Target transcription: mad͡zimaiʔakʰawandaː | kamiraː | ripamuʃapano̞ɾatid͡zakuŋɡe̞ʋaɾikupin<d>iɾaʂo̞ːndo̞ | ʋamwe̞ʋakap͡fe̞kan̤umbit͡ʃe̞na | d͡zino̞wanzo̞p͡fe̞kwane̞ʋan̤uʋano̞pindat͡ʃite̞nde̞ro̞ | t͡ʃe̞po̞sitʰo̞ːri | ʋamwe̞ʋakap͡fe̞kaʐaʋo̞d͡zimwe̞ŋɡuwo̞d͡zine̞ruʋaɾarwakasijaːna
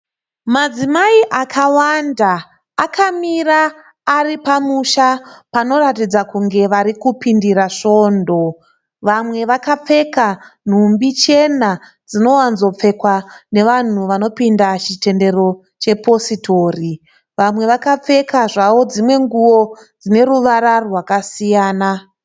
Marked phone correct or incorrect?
correct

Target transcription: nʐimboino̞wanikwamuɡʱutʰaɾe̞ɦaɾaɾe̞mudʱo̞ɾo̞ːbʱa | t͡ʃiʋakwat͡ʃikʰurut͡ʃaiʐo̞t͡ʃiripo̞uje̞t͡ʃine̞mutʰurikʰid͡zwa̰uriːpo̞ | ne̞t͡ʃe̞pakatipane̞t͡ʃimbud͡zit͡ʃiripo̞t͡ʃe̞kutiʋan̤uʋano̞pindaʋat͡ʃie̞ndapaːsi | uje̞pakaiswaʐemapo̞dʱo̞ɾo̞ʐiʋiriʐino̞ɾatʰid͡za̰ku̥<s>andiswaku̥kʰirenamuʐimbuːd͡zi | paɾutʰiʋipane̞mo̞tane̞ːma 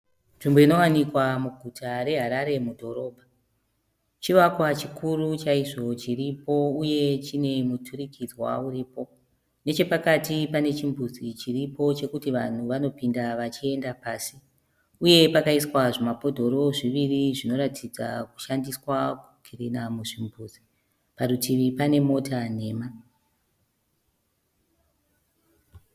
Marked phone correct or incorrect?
incorrect: ʃ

